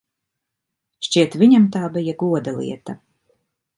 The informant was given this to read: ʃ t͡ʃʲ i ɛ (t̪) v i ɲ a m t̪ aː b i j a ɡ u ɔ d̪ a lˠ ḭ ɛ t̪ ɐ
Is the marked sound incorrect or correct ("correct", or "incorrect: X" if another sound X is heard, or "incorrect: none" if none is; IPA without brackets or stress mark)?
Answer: correct